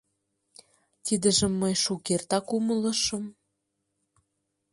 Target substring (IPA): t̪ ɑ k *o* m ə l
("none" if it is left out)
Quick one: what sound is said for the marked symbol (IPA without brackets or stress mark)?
u